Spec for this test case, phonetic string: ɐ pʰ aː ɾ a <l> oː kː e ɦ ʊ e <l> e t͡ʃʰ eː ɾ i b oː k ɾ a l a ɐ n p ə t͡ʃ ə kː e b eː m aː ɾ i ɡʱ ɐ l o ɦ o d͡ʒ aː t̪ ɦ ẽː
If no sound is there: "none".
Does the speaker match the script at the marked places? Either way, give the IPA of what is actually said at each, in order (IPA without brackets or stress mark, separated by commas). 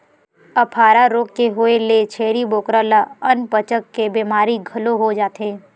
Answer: ɾ, l